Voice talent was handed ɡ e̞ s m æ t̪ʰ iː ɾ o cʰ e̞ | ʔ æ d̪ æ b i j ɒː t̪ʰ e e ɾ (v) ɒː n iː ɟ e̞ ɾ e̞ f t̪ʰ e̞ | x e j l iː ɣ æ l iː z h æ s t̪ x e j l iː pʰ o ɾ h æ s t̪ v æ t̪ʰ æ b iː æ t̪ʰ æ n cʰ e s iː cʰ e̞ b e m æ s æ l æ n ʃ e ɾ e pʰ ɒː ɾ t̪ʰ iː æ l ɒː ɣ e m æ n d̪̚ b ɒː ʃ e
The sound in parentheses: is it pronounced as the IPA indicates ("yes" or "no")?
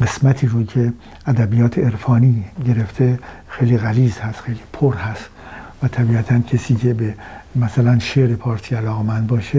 no